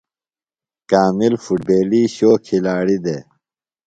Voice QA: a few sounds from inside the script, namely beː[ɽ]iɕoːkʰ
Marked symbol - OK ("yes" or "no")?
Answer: no